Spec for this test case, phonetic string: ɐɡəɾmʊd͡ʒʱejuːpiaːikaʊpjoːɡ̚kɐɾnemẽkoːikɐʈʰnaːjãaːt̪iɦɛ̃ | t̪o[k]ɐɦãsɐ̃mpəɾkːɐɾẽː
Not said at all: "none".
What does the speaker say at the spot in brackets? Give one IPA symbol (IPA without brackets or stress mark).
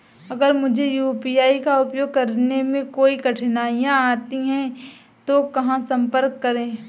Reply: k